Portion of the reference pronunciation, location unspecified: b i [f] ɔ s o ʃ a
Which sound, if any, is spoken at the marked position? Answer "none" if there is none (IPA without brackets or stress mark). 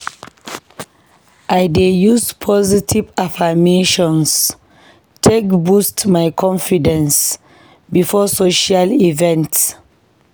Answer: f